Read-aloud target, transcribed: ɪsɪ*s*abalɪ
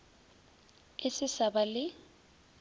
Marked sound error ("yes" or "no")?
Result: no